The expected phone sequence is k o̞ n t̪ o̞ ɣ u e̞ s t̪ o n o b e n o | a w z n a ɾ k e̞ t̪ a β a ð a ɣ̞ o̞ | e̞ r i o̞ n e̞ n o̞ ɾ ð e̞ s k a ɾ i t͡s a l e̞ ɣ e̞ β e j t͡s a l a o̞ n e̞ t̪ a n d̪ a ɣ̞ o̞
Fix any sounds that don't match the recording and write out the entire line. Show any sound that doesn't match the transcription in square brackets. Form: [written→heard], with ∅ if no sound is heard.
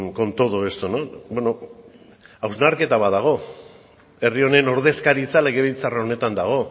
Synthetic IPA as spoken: k o̞ n t̪ o̞ [ɣ→ð] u e̞ s t̪ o n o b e n o | a w z n a ɾ k e̞ t̪ a β a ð a ɣ̞ o̞ | e̞ r i o̞ n e̞ n o̞ ɾ ð e̞ s k a ɾ i t͡s a l e̞ ɣ e̞ β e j t͡s a [l→r] a o̞ n e̞ t̪ a n d̪ a ɣ̞ o̞